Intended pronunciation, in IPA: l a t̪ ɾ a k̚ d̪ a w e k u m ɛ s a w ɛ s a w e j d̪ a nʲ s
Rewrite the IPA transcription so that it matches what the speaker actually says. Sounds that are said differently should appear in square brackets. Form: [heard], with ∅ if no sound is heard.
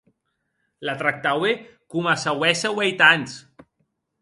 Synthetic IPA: l a t̪ ɾ a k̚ [t̪] a w e k u m [a] s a w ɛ s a w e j [t̪] a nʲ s